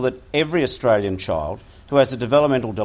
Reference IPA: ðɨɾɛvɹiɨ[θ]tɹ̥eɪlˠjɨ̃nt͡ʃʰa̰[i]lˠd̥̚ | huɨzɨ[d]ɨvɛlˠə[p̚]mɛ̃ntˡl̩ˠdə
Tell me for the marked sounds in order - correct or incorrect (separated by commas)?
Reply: incorrect, incorrect, correct, correct